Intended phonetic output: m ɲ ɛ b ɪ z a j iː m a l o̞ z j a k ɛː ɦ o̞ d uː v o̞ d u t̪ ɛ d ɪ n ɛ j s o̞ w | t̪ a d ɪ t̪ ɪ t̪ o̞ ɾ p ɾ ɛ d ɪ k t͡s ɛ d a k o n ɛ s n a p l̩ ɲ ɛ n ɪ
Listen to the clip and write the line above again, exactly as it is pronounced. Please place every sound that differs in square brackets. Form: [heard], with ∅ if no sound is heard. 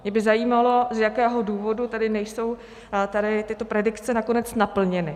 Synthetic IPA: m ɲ ɛ b ɪ z a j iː m a l o̞ z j a k ɛː ɦ o̞ d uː v o̞ d u t̪ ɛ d ɪ n ɛ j s o̞ w | t̪ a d ɪ t̪ ɪ t̪ o̞ [∅] p ɾ ɛ d ɪ k t͡s ɛ [n] a k o n ɛ [t͡s] n a p l̩ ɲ ɛ n ɪ